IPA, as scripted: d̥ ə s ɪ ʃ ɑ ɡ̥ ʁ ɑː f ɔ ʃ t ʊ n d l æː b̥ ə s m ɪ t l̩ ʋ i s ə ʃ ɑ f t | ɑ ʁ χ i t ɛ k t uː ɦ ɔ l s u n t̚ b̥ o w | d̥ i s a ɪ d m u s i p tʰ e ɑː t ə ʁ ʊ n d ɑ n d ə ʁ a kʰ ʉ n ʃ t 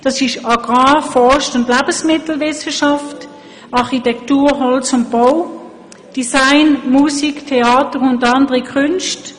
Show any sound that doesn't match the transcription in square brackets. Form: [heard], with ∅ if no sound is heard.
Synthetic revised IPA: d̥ [ɑ] s ɪ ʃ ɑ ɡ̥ ʁ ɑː f ɔ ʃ t ʊ n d l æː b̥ ə s m ɪ t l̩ ʋ [ɪ] s ə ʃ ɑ f t | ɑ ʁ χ i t ɛ k t uː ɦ ɔ l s [ʊ] n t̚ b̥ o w | d̥ i s a ɪ [n] m u s i [k] tʰ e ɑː t ə ʁ ʊ n d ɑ n d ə ʁ [i] kʰ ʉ n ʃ t